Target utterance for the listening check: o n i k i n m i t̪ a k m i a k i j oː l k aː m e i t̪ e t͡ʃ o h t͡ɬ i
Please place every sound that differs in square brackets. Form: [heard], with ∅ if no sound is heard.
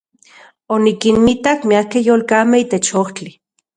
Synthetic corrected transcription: o n i k i n m i t̪ a k m i a k [e] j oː l k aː m e i t̪ e t͡ʃ o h t͡ɬ i